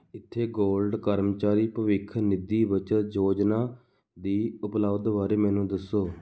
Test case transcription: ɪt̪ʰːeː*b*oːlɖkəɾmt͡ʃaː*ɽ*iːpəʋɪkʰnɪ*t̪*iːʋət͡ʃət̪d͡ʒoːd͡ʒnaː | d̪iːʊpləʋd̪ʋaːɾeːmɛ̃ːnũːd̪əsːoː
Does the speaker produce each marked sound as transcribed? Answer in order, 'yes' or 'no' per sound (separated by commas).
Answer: no, no, no